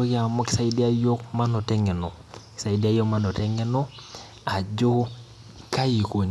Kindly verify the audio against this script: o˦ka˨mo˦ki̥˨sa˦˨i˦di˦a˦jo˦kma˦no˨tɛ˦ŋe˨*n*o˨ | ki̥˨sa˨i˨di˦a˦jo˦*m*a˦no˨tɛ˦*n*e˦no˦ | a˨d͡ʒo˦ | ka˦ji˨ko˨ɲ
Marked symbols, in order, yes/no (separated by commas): yes, yes, no